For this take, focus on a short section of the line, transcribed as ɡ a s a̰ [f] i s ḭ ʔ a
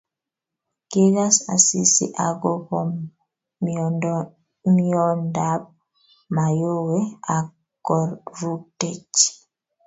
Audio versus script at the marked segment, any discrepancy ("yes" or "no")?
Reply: yes